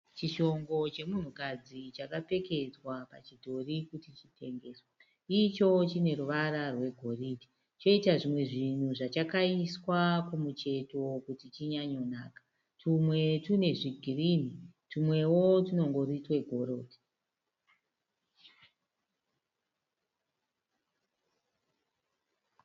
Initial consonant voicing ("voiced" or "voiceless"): voiceless